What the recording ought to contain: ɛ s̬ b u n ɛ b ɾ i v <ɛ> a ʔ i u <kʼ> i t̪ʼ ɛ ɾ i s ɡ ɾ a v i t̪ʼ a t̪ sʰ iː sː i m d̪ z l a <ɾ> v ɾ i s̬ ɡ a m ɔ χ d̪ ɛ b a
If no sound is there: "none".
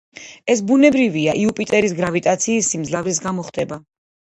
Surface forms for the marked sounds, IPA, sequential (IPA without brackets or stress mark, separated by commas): i, pʼ, none